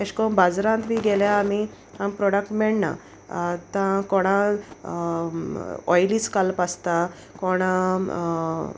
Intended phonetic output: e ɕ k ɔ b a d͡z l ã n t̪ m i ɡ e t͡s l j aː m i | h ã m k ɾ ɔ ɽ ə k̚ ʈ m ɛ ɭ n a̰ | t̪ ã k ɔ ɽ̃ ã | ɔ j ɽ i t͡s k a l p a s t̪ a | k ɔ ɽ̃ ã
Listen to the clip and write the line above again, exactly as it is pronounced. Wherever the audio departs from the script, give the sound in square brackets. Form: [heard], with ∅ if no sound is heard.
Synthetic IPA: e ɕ k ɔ b a d͡z [ɾ] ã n t̪ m i ɡ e [∅] l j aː m i | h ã m [p] ɾ ɔ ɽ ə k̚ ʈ m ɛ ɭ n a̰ | t̪ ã k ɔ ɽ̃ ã | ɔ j [l] i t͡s k a l p a s t̪ a | k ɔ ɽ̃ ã